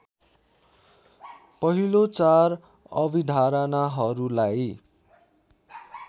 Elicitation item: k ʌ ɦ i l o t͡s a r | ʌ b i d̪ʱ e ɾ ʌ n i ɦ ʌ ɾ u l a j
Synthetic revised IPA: p ʌ ɦ i l o t͡s a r | ʌ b i d̪ʱ a ɾ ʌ n a ɦ ʌ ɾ u l a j